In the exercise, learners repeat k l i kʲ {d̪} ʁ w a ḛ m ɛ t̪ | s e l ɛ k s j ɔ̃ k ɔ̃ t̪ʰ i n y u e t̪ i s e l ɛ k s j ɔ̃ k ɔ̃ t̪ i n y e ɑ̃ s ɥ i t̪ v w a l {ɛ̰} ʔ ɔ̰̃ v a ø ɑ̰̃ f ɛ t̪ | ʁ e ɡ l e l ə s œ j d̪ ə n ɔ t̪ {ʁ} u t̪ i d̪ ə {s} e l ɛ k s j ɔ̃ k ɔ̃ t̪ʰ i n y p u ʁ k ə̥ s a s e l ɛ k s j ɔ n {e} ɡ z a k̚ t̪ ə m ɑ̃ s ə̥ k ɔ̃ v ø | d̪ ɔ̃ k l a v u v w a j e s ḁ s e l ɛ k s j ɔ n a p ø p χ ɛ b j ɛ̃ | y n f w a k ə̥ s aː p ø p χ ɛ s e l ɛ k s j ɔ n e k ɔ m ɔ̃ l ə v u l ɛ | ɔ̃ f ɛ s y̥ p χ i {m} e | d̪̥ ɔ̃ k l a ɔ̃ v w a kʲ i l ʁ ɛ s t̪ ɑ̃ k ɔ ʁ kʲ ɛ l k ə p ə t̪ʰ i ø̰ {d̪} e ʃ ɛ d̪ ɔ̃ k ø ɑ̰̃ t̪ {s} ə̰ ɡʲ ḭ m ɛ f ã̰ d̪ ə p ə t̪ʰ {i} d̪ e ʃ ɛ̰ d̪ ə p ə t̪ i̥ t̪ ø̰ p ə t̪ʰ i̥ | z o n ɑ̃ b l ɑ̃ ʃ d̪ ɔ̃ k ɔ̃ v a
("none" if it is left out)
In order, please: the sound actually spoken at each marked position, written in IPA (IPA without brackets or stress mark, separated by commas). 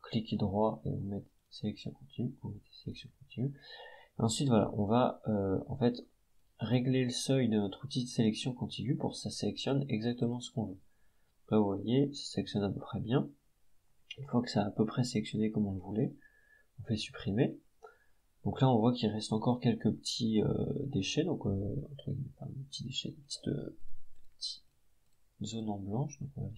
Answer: d̪, a̰, χ, s, ɛ, m, d̪, χ, i